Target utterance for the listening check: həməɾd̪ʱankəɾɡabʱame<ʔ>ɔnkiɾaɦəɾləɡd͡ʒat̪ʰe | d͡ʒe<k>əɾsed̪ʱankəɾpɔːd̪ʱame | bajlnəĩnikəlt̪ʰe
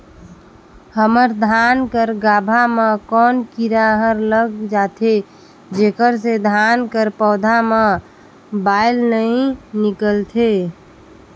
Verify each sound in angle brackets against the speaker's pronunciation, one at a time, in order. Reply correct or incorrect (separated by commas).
incorrect, correct